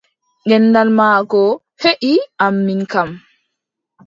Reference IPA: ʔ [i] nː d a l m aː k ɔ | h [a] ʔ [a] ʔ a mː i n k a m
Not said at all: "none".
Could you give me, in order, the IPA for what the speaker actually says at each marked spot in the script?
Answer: ɛ, e, i

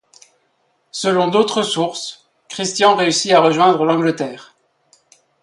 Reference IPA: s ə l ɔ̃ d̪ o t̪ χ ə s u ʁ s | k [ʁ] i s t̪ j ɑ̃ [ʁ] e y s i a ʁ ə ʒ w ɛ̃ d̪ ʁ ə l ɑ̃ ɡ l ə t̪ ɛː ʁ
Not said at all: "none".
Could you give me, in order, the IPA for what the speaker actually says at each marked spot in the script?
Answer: χ, ʁ

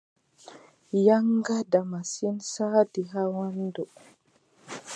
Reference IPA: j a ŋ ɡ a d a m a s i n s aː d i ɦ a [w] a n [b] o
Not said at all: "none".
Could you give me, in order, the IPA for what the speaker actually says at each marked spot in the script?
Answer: w, d

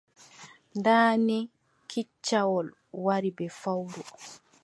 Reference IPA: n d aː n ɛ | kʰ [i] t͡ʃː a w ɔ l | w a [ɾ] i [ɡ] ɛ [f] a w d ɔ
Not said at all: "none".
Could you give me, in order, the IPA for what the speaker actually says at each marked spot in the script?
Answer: i, ɾ, b, f

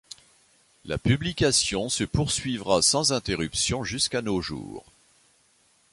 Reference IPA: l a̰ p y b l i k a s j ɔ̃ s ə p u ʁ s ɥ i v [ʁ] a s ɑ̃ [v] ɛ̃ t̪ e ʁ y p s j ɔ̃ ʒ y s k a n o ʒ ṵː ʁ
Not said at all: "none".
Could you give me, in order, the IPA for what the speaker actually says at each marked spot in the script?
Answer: ʁ, z

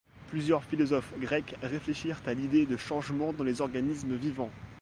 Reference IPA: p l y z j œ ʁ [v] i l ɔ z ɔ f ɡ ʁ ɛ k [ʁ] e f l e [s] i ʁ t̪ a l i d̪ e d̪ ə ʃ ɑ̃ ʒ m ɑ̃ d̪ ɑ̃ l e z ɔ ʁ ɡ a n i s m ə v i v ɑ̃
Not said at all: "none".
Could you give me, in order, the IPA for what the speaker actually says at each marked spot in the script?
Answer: f, ʁ, ʃ

